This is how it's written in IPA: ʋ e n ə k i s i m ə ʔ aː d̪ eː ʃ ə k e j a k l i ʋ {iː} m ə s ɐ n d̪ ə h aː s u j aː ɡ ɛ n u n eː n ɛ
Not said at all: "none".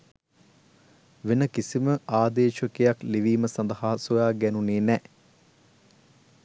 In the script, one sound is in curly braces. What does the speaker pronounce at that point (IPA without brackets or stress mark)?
iː